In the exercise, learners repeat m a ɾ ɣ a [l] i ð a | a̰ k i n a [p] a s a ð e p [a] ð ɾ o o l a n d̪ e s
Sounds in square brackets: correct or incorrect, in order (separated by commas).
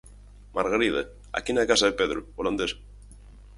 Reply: incorrect, incorrect, incorrect